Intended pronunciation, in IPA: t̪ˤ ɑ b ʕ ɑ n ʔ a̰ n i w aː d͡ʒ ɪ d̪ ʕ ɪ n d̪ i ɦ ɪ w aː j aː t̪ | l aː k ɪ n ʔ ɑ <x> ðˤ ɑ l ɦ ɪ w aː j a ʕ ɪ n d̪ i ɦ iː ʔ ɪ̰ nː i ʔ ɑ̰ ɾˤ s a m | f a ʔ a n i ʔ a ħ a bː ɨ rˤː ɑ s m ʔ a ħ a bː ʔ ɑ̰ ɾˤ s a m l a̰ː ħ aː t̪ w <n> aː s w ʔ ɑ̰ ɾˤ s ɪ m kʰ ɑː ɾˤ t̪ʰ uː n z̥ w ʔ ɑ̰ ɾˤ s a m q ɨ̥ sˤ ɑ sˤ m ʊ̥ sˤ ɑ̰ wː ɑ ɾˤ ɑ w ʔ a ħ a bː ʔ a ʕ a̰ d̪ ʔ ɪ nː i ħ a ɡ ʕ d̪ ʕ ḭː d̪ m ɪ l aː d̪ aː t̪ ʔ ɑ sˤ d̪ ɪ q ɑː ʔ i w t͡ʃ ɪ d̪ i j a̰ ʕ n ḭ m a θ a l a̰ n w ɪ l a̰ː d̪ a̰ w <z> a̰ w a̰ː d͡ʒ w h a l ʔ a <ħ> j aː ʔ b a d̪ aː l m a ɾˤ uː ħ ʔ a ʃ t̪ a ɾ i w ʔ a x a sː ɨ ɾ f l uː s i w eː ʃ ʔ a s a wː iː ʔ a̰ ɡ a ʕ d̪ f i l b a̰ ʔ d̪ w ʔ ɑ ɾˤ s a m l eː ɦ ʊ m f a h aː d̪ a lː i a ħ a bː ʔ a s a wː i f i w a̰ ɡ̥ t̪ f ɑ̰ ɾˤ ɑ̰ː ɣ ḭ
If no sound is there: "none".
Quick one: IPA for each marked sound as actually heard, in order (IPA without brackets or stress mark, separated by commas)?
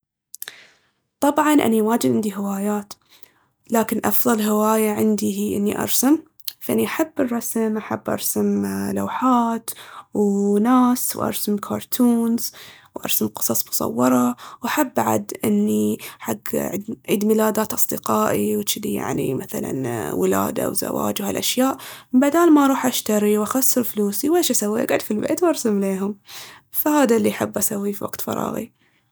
f, n, z, ʃ